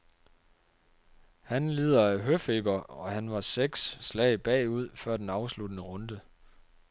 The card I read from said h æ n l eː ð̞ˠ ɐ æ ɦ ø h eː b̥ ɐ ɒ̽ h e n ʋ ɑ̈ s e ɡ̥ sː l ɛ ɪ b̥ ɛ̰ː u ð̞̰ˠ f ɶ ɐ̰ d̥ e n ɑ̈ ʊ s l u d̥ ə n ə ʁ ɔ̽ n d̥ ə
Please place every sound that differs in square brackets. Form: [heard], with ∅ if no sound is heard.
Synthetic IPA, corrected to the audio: h æ n l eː ð̞ˠ ɐ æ ɦ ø [f] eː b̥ ɐ ɒ̽ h [æ] n ʋ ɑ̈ s e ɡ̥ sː l ɛ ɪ b̥ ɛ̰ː u ð̞̰ˠ f ɶ ɐ̰ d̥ e n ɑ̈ ʊ s l u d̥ ə n ə ʁ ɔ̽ n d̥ ə